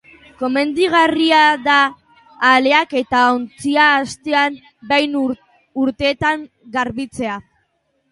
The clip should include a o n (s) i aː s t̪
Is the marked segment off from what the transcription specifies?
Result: yes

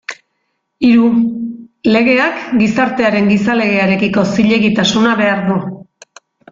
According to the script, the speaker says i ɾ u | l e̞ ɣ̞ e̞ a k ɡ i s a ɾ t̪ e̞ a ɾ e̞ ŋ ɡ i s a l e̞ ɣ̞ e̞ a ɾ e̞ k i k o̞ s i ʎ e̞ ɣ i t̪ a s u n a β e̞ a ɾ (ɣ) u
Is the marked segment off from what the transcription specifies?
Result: yes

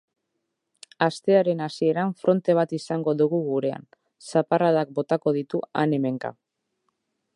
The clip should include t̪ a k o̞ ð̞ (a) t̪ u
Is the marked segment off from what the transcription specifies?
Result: yes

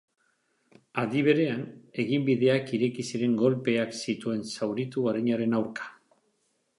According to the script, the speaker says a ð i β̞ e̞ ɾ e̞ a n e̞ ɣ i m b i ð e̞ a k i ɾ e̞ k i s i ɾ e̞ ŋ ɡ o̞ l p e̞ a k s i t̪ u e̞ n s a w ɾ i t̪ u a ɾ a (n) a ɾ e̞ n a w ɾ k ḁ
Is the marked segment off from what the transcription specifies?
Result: yes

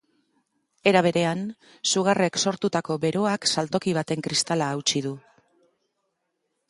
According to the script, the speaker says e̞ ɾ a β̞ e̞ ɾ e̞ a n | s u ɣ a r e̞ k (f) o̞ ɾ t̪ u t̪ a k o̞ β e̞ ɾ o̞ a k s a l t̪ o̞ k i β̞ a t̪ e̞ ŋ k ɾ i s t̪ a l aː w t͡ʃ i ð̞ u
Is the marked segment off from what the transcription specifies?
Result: yes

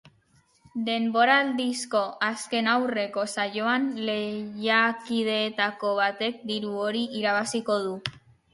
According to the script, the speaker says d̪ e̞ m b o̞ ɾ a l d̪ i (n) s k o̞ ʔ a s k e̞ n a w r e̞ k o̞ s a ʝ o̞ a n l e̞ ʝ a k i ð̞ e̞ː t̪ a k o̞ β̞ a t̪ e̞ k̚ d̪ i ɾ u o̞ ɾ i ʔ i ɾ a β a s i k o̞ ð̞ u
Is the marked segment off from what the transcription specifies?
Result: yes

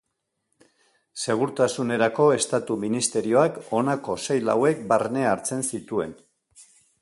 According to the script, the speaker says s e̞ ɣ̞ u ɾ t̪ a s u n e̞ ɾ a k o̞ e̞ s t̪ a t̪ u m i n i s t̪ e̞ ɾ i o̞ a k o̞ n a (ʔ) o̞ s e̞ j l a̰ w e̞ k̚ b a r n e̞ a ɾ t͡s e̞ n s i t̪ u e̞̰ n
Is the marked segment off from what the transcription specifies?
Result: yes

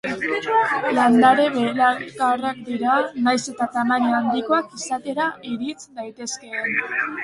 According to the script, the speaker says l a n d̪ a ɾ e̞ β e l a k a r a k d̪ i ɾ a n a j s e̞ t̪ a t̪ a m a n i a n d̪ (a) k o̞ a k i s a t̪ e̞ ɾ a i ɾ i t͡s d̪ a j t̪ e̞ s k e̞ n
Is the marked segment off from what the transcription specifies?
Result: yes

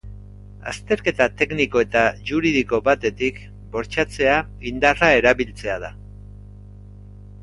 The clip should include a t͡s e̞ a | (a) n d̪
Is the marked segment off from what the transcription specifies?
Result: yes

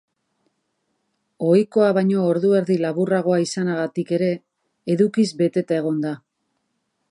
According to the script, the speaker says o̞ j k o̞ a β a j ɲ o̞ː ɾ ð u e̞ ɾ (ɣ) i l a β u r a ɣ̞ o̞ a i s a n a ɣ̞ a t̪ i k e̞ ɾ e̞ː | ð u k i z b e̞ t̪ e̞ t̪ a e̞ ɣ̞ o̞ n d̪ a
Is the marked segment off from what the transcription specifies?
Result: yes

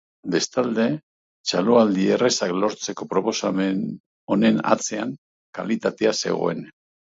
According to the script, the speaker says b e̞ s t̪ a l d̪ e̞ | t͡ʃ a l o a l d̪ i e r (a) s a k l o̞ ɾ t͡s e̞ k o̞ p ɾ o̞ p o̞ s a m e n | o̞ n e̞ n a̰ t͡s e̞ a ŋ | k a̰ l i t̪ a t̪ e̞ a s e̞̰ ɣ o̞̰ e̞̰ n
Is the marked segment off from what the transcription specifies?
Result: yes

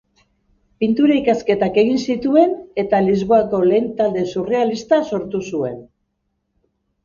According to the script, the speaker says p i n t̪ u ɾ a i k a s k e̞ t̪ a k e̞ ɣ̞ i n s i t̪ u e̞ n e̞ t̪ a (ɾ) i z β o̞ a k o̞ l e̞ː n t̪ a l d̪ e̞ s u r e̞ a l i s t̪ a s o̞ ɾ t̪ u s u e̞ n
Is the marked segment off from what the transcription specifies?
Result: yes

